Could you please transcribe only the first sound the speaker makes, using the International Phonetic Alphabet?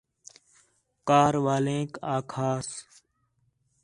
k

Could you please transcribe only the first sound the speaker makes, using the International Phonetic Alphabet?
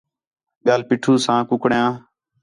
ɓ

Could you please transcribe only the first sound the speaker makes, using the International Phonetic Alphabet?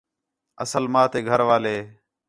ə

